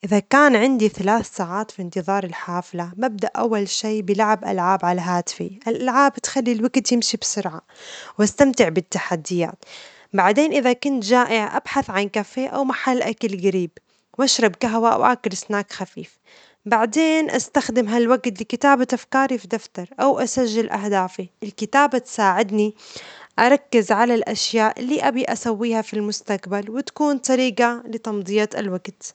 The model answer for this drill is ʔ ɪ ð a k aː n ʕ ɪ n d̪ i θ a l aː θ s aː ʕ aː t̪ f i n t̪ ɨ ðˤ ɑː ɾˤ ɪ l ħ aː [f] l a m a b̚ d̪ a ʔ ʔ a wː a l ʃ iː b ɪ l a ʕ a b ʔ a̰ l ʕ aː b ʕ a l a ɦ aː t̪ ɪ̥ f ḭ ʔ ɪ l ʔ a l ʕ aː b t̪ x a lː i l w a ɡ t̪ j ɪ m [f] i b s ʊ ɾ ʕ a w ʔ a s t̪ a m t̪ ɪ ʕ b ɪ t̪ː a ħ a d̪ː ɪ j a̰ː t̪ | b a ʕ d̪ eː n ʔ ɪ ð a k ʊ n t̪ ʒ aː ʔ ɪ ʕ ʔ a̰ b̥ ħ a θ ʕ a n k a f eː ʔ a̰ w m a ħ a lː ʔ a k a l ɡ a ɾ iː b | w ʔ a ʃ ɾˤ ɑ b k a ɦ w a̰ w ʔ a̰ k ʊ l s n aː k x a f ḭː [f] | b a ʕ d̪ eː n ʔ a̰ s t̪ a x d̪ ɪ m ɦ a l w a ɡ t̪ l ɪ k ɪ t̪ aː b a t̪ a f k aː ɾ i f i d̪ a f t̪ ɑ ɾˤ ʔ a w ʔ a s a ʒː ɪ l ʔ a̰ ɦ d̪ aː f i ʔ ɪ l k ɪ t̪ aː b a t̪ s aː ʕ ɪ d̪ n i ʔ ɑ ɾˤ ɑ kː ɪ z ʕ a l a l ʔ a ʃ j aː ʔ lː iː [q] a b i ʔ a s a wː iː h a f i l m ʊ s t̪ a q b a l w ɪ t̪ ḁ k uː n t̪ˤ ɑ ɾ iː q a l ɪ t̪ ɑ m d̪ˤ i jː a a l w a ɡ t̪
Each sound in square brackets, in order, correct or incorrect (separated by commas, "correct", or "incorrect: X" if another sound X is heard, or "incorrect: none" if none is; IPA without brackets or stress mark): correct, incorrect: ʃ, correct, incorrect: ʔ